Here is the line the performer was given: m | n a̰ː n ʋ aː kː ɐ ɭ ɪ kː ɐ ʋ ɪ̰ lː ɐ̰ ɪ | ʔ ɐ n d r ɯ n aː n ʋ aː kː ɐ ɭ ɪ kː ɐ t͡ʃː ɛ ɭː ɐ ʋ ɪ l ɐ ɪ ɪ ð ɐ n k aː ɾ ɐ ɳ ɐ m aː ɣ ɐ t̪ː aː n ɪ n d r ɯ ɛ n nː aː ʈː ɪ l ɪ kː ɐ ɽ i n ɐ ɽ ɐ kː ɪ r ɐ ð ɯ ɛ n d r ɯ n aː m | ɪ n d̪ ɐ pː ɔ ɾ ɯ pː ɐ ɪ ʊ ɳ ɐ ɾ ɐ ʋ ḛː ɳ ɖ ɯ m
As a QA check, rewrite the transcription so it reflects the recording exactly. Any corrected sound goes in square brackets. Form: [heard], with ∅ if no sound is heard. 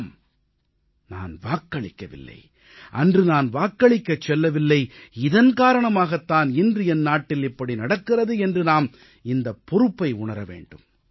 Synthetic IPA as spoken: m | n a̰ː n ʋ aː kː ɐ ɭ ɪ kː ɐ ʋ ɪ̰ lː ɐ̰ ɪ | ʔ ɐ n d r ɯ n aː n ʋ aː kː ɐ ɭ ɪ kː ɐ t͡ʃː ɛ [lː] ɐ ʋ ɪ [lː] ɐ ɪ ɪ ð ɐ n k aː ɾ ɐ ɳ ɐ m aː ɣ ɐ t̪ː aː n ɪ n d r ɯ ɛ n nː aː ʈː ɪ l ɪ [pː] ɐ ɽ i n ɐ ɽ ɐ kː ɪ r ɐ ð ɯ ɛ n d r ɯ n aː m | ɪ n d̪ ɐ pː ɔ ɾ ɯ pː ɐ ɪ ʊ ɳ ɐ ɾ ɐ ʋ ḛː ɳ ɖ ɯ m